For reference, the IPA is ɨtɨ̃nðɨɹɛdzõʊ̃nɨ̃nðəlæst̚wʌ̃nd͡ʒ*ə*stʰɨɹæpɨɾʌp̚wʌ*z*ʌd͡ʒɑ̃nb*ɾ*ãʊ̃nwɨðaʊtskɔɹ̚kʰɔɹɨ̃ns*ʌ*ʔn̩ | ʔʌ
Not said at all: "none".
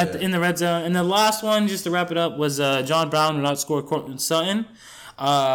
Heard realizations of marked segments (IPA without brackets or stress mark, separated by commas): ʌ, z, ɹ, ʌ